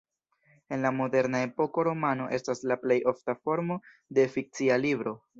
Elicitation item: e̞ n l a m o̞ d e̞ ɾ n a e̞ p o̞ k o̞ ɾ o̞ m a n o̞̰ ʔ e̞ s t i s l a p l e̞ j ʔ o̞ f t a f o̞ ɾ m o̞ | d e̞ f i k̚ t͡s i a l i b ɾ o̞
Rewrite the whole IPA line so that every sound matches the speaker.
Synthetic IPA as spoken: e̞ n l a m o̞ d e̞ ɾ n a e̞ p o̞ k o̞ ɾ o̞ m a n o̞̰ ʔ e̞ s t a s l a p l e̞ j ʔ o̞ f t a f o̞ ɾ m o̞ | d e̞ f i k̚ t͡s i a l i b ɾ o̞